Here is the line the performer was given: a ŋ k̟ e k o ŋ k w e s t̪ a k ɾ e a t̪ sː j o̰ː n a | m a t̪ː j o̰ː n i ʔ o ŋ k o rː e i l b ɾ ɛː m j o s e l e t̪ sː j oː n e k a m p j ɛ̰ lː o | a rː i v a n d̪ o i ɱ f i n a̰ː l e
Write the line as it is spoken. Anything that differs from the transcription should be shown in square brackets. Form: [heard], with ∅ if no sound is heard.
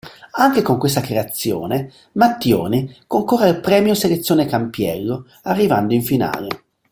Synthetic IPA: a ŋ k̟ e k o ŋ k w e s t̪ a k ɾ e a t̪ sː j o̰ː n [e] | m a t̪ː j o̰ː n i [k] o ŋ k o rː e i l [p] ɾ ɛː m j o s e l e t̪ sː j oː n e k a m p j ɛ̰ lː o | a rː i v a n d̪ o i ɱ f i n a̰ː l e